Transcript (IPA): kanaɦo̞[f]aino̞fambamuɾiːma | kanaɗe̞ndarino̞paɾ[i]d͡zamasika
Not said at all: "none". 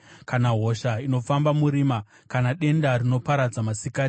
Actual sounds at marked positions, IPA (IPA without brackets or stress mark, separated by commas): ʃ, a